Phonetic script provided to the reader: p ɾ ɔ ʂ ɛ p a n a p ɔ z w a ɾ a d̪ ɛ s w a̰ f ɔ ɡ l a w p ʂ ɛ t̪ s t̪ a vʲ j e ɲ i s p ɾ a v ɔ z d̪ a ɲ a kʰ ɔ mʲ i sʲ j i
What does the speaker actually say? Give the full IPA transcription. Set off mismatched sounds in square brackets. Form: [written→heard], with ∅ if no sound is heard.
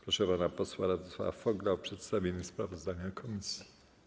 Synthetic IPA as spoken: p ɾ ɔ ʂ ɛ p a n a p ɔ [z→s] w a ɾ a d̪ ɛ s w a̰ f ɔ ɡ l a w p ʂ ɛ t̪ s t̪ a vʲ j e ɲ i s p ɾ a v ɔ z d̪ a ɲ a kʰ ɔ mʲ i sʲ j i